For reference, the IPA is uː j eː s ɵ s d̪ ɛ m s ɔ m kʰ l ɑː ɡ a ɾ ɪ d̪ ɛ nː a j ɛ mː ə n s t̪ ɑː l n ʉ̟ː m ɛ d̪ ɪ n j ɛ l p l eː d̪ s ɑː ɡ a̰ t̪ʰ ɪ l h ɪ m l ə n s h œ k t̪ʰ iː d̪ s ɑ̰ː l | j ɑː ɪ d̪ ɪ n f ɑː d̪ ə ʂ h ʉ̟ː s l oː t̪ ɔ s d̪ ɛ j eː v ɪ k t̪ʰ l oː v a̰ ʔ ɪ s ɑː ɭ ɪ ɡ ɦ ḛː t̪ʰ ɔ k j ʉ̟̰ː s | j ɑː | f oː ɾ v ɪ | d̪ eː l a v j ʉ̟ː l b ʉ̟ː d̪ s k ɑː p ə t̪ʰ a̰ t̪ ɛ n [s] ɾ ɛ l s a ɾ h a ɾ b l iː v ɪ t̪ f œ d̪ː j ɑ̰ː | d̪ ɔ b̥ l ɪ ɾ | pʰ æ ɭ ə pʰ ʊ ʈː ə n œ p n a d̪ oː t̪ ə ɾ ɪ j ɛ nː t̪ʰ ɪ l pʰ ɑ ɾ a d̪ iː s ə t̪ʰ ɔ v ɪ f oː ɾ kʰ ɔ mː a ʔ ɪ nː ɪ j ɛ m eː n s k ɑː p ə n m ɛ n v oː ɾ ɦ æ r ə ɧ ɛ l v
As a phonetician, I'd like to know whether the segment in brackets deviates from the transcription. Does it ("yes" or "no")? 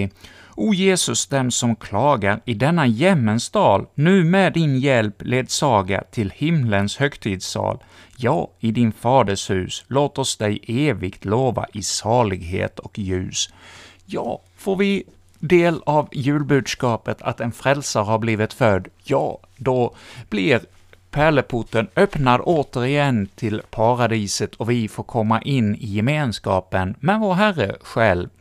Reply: yes